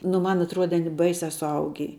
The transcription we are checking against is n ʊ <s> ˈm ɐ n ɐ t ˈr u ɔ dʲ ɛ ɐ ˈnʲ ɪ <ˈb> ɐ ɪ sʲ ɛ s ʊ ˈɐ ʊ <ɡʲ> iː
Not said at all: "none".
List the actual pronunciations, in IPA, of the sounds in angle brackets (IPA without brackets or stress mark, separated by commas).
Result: none, b, ɡʲ